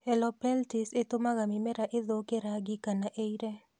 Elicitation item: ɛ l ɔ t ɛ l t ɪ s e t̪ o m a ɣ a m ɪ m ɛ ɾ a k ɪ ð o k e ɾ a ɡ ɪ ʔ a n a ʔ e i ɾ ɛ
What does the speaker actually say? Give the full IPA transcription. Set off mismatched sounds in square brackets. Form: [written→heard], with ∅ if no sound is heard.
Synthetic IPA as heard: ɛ l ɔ [t→p] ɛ l t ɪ s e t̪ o m a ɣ a m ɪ m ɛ ɾ a [k→ʔ] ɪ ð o k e ɾ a ɡ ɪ [ʔ→k] a n a ʔ e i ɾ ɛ